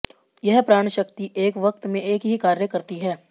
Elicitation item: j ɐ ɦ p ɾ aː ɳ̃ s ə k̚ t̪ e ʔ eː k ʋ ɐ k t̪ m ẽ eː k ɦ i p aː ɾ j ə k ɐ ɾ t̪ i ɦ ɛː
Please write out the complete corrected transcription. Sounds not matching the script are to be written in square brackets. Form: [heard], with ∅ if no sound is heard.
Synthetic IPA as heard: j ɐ ɦ p ɾ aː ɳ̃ [ʃ] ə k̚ t̪ [i] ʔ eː k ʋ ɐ k t̪ m ẽ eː k ɦ i [k] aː ɾ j ə k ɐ ɾ t̪ i ɦ ɛː